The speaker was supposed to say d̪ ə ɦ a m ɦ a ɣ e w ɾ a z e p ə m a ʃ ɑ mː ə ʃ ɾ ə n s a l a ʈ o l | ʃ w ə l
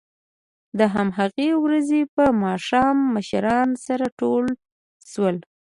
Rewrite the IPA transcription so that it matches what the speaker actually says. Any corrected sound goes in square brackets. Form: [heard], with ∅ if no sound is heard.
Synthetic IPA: d̪ ə ɦ a m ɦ a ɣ e w ɾ a z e p ə m [ɑ] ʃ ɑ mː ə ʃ ɾ [ɑ] n s a [ɾ] a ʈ o l | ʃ w ə l